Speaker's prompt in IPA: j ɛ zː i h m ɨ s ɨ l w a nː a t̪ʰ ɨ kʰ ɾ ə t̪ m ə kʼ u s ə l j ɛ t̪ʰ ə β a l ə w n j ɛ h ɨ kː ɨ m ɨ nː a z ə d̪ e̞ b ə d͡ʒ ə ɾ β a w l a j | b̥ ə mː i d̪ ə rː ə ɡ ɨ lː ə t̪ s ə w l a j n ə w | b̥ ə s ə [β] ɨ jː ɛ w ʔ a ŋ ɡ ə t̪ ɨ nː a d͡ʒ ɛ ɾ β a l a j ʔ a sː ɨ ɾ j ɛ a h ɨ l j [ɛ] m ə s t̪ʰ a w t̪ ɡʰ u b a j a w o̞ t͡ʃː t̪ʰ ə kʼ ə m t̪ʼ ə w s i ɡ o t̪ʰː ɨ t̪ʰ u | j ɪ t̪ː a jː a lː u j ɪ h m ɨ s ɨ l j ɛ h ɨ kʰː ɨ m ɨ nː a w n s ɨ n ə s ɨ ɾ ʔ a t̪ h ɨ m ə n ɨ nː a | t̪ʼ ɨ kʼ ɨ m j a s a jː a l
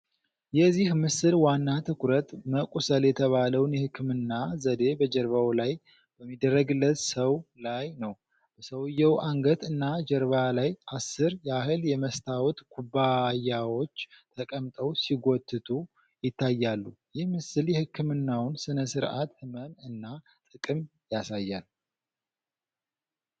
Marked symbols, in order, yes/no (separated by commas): no, yes